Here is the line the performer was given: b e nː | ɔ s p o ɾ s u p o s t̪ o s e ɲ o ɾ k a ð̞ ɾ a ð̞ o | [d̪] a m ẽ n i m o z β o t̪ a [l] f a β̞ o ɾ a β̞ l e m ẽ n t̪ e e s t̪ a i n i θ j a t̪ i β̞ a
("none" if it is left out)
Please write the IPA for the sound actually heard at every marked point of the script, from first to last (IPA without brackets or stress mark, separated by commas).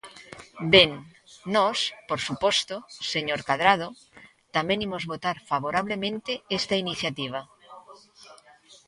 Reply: t̪, ɾ